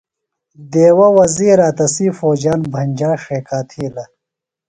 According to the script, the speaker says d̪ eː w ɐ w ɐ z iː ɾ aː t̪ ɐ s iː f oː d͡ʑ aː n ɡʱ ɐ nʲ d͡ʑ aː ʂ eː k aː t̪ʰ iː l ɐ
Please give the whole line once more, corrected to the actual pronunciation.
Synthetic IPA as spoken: d̪ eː w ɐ w ɐ z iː ɾ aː t̪ ɐ s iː f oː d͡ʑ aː n bʱ ɐ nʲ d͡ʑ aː ʂ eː k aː t̪ʰ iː l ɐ